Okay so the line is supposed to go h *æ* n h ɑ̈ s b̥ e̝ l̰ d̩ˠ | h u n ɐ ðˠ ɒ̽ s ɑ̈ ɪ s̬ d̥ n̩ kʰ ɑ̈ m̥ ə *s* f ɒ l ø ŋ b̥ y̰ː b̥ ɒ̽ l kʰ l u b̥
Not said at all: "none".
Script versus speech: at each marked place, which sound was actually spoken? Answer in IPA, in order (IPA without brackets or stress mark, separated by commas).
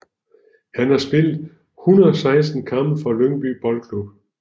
æ, none